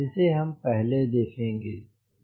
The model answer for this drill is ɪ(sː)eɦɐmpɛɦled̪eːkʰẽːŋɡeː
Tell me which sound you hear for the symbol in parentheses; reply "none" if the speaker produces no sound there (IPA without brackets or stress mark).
s